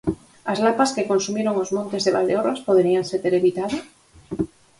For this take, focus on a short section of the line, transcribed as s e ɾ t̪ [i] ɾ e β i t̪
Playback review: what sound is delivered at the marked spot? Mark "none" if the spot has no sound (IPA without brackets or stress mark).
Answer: e